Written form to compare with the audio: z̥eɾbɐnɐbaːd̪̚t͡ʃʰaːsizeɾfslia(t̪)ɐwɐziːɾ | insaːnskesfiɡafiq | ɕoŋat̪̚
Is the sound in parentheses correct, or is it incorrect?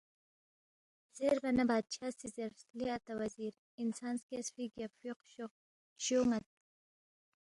correct